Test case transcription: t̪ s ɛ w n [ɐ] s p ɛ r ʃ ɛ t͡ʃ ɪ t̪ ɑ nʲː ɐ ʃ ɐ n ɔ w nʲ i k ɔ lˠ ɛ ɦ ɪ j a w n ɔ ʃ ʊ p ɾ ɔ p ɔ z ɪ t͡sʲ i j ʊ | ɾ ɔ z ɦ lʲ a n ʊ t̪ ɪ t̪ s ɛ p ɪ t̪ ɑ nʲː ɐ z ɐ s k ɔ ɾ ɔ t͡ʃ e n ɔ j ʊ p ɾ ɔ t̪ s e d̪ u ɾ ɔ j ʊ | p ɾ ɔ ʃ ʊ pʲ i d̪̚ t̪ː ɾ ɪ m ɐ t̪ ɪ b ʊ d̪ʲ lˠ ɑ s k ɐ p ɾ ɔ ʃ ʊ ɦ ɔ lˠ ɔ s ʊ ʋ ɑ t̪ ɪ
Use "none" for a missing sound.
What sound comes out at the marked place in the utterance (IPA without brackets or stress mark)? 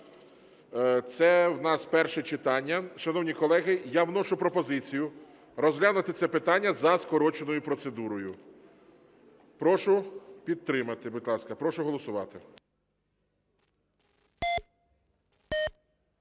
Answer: ɑ